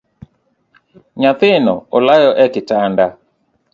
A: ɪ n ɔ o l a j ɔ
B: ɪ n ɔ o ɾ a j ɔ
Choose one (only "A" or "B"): A